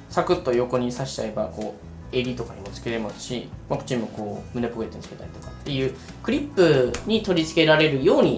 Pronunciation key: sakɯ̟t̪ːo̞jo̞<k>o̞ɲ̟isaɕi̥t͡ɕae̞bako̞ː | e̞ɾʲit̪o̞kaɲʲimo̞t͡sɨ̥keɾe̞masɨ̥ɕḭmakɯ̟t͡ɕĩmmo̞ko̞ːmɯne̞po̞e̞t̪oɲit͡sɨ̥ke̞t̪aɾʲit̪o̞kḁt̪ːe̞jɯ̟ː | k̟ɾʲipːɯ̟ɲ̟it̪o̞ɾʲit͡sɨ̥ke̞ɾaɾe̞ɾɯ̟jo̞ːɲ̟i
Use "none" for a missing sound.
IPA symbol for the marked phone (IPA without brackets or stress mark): k